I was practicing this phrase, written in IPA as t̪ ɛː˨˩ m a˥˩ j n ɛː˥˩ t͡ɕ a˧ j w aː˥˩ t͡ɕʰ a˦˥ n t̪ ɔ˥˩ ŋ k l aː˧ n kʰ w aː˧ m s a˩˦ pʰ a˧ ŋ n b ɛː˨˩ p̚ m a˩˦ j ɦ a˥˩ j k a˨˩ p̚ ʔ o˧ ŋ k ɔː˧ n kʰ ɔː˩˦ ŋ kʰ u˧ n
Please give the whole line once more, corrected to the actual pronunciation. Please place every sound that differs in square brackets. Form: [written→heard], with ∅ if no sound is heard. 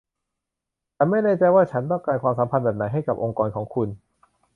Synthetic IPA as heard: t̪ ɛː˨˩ m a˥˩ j n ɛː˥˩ t͡ɕ a˧ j w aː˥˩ t͡ɕʰ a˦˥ n t̪ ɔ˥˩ ŋ k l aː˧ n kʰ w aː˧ m s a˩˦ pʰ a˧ [ŋ→∅] n b ɛː˨˩ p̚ [m→n] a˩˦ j ɦ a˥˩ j k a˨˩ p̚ ʔ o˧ ŋ k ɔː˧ n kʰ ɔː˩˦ ŋ kʰ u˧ n